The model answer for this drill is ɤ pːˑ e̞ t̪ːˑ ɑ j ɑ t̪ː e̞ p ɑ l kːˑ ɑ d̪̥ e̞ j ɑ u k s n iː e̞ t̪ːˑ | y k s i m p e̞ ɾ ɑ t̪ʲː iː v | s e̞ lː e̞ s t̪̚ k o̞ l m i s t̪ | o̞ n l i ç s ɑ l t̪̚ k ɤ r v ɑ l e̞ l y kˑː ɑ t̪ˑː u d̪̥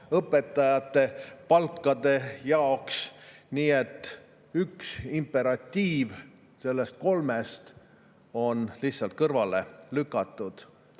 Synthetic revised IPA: ɤ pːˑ e̞ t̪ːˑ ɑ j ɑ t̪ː e̞ p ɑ l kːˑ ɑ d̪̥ e̞ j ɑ o k s n iː e̞ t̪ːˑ | y k s i m p e̞ ɾ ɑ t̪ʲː iː v | s e̞ lː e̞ s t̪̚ k o̞ l m e s t̪ | o̞ n l i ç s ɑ l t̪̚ k ɤ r v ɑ l e̞ l y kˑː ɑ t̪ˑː u d̪̥